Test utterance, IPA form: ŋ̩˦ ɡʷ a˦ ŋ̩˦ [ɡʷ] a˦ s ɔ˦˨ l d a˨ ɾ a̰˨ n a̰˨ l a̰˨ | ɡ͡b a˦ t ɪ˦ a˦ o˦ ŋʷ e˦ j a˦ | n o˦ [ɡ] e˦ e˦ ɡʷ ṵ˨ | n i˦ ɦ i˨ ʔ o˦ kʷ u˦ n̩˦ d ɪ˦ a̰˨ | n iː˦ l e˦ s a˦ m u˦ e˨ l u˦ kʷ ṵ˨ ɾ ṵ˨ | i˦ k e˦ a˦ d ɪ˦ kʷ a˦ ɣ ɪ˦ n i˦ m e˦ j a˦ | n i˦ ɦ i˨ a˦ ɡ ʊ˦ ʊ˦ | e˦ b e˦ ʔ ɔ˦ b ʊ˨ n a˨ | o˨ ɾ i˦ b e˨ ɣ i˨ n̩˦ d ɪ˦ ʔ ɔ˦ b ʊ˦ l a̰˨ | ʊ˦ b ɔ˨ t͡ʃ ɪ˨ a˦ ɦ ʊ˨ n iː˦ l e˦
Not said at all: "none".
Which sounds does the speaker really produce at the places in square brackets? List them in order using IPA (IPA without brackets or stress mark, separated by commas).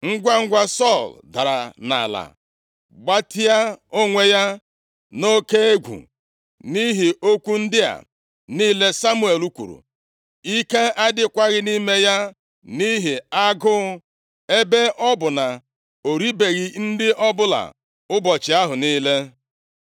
ɡʷ, k